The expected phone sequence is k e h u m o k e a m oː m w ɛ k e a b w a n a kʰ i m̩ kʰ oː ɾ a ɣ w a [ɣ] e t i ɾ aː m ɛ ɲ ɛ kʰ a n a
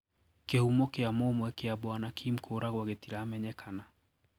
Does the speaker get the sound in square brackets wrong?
no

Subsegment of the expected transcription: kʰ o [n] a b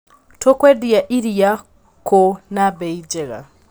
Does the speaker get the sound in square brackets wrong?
no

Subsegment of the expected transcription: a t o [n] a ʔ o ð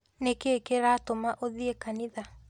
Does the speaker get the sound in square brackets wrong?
yes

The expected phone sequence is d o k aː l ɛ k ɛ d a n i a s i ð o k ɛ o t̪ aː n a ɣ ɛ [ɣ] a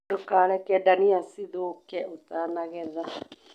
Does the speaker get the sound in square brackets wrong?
yes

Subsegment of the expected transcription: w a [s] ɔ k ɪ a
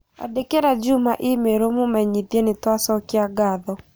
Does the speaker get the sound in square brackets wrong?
no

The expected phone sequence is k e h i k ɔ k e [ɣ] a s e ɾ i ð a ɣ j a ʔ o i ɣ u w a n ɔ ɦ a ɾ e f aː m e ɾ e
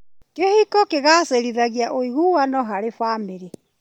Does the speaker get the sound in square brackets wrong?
no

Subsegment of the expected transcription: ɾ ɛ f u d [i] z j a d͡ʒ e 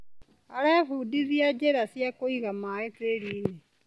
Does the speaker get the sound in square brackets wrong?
no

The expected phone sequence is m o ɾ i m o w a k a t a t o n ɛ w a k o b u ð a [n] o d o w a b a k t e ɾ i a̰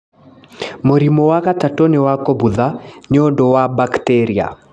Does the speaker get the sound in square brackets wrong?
yes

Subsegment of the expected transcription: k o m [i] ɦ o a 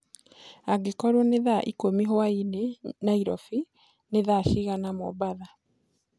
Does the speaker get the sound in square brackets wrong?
no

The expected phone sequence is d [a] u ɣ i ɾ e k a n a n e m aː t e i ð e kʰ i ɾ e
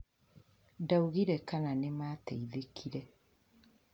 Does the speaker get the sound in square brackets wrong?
no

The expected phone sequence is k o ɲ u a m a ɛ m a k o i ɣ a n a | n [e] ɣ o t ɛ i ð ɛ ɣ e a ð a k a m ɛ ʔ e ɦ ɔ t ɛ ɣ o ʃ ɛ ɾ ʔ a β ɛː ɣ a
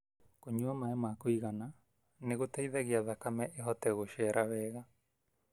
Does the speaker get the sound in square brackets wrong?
no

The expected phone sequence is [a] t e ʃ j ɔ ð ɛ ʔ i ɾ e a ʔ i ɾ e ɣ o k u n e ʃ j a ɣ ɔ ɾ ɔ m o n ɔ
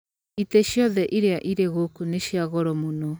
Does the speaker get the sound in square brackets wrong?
yes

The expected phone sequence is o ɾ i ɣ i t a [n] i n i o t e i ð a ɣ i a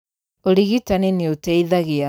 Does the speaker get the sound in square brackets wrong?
no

